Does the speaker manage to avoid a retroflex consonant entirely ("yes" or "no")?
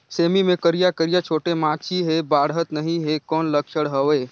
no